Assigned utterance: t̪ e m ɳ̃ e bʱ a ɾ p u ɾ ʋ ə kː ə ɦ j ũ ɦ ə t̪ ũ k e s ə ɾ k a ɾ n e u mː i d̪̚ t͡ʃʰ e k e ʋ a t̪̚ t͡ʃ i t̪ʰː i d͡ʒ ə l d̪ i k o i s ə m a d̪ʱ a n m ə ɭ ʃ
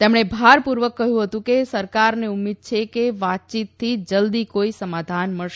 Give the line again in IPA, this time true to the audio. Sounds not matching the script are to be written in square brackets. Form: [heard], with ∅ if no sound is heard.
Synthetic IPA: t̪ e m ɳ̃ e bʱ a ɾ p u ɾ ʋ ə kː ə ɦ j ũ ɦ ə t̪ ũ k e s ə ɾ k a ɾ n e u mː i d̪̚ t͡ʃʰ e k e ʋ a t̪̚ t͡ʃ i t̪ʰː i d͡ʒ ə l d̪ i k o i s ə m a d̪ʱ a n m ə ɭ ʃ